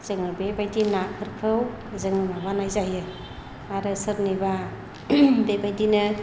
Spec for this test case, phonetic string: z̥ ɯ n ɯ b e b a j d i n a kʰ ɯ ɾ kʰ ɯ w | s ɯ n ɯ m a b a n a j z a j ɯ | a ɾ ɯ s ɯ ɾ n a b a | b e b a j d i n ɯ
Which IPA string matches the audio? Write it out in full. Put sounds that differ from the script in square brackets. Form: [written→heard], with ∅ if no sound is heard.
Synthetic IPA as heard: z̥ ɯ [n→ŋ] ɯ b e b a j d i n a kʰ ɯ ɾ kʰ ɯ w | [s→z] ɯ [n→ŋ] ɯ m a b a n a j z a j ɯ | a ɾ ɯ s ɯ ɾ n [a→i] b a | b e b a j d i n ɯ

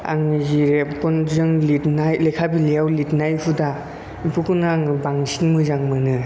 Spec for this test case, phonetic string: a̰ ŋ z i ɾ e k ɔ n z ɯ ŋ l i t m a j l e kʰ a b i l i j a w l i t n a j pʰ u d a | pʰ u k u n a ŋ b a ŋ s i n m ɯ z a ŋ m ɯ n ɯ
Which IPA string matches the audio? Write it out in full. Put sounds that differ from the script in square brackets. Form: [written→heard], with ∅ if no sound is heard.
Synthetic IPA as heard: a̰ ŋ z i ɾ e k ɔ n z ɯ ŋ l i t [m→n] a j l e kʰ a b i l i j a w l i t n a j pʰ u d a | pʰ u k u n a ŋ b a ŋ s i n m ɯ z a ŋ m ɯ n ɯ

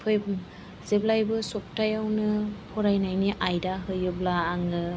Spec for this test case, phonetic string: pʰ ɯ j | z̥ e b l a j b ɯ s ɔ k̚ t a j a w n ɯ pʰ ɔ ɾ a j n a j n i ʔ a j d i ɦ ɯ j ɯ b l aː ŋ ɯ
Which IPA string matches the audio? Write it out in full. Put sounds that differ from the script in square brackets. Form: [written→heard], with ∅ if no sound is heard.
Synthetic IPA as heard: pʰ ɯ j | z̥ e b l a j b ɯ s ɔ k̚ t a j a w n ɯ pʰ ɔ ɾ a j n a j n i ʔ a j d [i→a] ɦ ɯ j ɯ b l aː ŋ ɯ

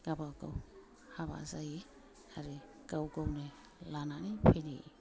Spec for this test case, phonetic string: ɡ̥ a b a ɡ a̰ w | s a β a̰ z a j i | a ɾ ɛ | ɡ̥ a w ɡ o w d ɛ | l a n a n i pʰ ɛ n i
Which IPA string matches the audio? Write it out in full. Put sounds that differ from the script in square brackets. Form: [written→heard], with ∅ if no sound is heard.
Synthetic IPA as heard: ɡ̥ a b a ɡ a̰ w | [s→h] a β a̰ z a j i | a ɾ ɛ | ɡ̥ a w ɡ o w [d→n] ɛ | l a n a n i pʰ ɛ n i

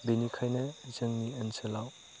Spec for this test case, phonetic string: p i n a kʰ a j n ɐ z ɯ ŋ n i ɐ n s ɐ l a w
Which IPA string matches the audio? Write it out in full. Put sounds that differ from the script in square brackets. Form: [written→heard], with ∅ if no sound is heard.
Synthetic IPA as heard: [p→b] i n [a→i] kʰ a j n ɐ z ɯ ŋ n i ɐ n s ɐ l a w

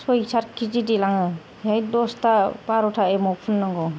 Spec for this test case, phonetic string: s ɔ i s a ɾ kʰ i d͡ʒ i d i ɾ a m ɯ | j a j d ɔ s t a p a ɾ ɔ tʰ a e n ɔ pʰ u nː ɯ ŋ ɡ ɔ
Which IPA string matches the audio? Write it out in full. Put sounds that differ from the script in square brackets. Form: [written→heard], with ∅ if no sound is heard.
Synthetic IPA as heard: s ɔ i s a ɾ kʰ i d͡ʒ i d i [ɾ→l] a [m→ŋ] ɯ | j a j d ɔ s t a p a ɾ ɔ tʰ a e [n→m] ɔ pʰ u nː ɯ ŋ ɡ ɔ

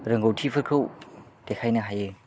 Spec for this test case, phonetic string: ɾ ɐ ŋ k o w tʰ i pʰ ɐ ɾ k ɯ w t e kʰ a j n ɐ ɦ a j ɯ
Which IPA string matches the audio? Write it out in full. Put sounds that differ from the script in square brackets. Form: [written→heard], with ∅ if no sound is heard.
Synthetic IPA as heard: ɾ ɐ ŋ [k→ɡ] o w tʰ i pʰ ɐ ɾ [k→kʰ] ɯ w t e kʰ a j n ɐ ɦ a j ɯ

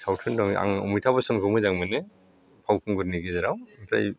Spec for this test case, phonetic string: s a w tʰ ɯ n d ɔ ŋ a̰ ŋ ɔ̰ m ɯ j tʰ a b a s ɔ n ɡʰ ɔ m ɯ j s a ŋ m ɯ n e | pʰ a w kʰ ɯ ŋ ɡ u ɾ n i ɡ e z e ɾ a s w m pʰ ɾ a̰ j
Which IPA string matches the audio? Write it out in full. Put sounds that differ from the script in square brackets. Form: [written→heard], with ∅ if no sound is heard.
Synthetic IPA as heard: s a w tʰ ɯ n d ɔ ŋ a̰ ŋ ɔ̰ m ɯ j tʰ a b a s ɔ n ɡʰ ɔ m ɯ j [s→z] a ŋ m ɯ n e | pʰ a w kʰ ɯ ŋ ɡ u ɾ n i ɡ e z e ɾ a [s→∅] w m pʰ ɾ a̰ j

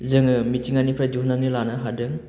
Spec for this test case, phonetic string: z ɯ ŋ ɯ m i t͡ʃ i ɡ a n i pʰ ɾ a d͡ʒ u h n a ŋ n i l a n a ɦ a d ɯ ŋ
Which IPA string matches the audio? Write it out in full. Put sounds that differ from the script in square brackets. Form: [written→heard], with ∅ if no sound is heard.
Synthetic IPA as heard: z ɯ ŋ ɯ m i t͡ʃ i [ɡ→ŋ] a n i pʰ ɾ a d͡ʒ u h n a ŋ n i l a n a ɦ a d ɯ ŋ

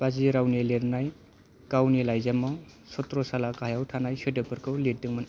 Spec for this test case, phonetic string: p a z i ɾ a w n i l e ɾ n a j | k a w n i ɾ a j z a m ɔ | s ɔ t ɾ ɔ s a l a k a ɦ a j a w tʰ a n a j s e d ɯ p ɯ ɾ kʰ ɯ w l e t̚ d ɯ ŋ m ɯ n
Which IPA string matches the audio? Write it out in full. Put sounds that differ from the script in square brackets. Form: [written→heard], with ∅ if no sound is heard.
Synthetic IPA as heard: p a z i ɾ a w n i l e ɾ n a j | k a w n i [ɾ→l] a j z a m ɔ | s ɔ t ɾ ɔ s a l a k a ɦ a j a w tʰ a n a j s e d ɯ p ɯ ɾ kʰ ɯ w l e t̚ d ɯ ŋ m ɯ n

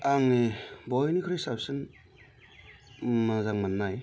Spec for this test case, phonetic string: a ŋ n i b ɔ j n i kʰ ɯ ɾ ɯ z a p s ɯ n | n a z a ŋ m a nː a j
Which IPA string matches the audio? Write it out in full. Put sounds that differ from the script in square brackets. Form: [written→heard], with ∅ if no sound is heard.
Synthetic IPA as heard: a ŋ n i b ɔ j n i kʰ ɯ ɾ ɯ [z→s] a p s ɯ n | [n→m] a z a ŋ m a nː a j

